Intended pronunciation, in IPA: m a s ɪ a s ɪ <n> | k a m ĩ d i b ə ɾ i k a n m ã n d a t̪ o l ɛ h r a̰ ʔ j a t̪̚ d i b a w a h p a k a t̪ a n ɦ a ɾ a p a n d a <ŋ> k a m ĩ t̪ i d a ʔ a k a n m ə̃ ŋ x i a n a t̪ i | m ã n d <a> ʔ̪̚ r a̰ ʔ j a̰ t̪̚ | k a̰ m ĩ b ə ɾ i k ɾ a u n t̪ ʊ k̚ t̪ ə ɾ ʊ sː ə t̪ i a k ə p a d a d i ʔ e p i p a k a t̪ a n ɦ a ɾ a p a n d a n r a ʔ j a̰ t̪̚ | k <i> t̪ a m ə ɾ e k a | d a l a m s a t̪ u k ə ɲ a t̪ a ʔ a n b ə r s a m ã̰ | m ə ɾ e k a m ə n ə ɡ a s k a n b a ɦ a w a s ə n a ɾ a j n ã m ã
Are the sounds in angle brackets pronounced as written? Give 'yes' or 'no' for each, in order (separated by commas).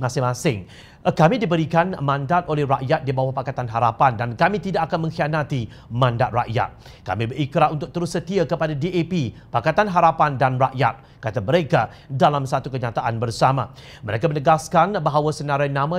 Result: no, no, yes, no